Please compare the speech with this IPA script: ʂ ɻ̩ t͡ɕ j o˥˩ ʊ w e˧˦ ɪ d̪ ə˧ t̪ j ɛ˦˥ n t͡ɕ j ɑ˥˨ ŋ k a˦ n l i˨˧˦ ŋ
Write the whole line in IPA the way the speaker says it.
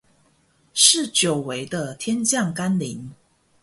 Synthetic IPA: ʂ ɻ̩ t͡ɕ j o˨˩ ʊ w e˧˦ ɪ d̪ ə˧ t̪ʰ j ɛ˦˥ n t͡ɕ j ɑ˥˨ ŋ k a˦ n l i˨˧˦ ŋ